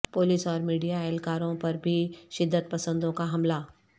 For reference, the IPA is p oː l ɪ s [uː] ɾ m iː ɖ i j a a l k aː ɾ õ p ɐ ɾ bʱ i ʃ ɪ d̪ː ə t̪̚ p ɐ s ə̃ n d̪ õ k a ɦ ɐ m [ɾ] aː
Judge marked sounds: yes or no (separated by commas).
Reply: no, no